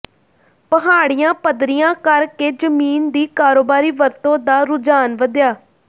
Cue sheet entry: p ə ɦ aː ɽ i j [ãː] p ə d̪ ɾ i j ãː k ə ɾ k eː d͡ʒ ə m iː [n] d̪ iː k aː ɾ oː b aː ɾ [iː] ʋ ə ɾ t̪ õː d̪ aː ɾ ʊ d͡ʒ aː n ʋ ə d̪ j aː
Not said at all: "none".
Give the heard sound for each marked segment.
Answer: ãː, n, iː

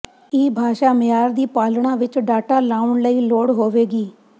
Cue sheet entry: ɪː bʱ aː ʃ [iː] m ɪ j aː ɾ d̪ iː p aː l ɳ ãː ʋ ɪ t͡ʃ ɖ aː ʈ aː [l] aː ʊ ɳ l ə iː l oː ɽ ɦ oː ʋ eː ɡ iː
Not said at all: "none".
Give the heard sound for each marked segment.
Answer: aː, l

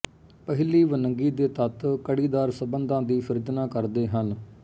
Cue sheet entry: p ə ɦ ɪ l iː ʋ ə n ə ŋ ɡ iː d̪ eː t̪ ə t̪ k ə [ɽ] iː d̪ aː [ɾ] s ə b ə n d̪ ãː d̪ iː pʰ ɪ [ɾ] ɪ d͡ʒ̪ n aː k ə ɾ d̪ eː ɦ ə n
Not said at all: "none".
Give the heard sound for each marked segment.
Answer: ɽ, ɾ, ɾ

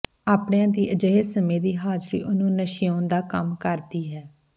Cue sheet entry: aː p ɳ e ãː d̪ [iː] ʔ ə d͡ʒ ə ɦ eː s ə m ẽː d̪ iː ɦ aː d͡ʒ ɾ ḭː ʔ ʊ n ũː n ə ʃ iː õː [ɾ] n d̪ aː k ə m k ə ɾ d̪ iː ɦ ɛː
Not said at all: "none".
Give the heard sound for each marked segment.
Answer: iː, none

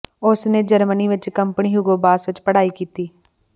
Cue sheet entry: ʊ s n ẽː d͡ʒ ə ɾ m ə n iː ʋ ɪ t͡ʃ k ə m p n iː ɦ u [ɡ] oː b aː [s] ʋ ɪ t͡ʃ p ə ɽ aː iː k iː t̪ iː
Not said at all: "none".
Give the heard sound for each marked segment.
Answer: ɡ, s

